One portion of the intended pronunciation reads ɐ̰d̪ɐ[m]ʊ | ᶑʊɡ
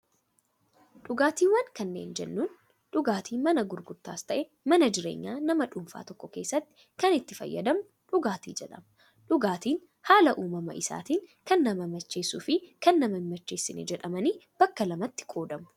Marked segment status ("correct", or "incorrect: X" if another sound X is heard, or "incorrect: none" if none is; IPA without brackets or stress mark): correct